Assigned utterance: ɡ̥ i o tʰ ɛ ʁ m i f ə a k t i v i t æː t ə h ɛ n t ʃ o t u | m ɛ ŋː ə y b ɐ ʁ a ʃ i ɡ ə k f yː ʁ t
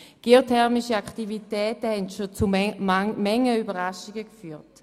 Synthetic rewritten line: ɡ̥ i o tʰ ɛ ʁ m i ʃ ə a k t i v i t ɛː t ə h ɛ n t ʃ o t͡s u | m ɛ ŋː ə y b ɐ ʁ a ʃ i ɡ ə k f yː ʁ t